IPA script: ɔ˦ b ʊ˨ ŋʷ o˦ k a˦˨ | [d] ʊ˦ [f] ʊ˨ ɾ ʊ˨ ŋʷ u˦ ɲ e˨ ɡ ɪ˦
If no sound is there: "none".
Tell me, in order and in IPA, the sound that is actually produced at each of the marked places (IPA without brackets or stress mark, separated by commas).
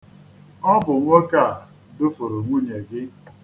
d, f